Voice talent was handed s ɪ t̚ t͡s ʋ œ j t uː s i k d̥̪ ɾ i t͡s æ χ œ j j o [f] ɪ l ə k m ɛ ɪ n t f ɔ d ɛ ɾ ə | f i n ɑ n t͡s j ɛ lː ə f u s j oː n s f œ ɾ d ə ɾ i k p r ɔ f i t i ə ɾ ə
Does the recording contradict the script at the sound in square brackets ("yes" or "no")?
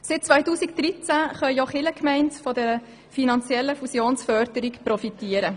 yes